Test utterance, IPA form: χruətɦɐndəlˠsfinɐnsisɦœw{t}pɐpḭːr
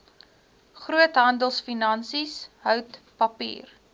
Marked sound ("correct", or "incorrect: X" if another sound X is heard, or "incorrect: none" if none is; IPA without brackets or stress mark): correct